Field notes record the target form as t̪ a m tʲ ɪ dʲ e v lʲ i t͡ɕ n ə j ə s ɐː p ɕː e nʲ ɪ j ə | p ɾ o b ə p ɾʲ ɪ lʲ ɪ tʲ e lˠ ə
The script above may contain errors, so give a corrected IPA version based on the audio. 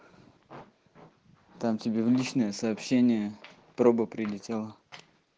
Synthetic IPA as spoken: t̪ a m tʲ ɪ bʲ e v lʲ i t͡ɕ n ə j ə s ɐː p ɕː e nʲ ɪ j ə | p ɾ o b ə p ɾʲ ɪ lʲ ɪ tʲ e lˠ ə